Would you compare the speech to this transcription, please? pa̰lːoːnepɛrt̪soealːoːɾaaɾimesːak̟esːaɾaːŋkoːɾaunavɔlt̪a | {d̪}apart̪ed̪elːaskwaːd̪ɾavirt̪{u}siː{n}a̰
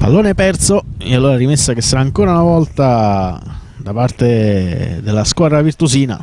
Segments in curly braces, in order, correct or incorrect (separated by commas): correct, correct, correct